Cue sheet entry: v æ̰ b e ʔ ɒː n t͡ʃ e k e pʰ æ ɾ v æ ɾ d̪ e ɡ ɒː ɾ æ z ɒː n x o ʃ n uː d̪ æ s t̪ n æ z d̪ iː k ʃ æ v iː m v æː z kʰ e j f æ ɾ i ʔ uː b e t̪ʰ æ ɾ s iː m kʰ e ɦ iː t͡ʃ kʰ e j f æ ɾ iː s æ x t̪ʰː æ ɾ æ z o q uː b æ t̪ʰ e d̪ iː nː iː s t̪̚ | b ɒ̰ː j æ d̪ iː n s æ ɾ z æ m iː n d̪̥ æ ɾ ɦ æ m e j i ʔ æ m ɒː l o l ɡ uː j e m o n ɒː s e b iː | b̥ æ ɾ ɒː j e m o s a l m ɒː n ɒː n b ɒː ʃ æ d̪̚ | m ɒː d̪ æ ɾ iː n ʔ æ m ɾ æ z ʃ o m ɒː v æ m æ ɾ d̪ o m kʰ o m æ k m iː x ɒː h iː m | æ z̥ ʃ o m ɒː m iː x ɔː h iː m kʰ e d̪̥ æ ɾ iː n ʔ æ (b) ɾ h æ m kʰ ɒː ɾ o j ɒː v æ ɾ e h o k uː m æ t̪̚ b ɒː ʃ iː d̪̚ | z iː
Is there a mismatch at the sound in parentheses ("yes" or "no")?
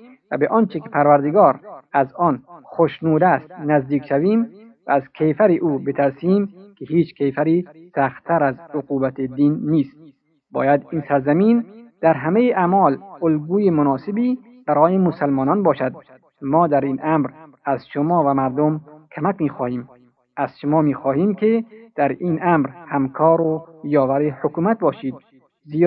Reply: yes